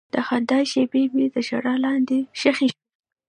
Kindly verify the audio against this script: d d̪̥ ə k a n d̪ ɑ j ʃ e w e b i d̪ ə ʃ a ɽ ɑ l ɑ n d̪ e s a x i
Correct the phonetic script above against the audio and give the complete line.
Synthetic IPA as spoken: d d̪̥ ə x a n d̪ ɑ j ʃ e b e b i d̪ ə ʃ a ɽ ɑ l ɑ n d̪ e ʃ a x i